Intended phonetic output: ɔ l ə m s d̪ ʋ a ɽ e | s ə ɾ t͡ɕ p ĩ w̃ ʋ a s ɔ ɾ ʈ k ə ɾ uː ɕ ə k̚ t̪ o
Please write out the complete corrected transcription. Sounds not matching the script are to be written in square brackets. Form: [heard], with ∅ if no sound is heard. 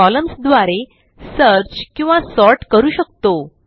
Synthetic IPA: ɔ l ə m s d̪ ʋ a [ɾ] e | s ə ɾ t͡ɕ [k] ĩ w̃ ʋ a s ɔ ɾ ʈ k ə ɾ uː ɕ ə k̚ t̪ o